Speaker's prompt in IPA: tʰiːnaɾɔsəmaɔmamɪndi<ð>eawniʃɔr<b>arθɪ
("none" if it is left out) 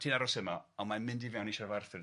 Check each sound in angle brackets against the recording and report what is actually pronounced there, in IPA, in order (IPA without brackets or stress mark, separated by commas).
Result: v, v